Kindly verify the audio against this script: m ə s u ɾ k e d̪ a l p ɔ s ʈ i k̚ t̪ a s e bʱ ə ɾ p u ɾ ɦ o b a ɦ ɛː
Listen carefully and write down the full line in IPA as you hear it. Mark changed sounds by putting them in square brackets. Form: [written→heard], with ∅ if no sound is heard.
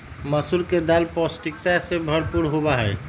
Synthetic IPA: m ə s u ɾ k e d̪ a l p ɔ s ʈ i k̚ t̪ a s e bʱ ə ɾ p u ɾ ɦ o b a ɦ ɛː